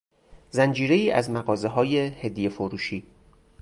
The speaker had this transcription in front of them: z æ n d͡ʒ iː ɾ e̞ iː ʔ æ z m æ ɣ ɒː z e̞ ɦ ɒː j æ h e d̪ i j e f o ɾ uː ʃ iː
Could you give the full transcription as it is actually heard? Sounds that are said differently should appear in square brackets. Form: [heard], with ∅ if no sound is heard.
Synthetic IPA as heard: z æ n d͡ʒ iː ɾ e̞ iː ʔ æ z m æ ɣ ɒː z e̞ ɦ ɒː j [e] h e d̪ i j e f o ɾ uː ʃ iː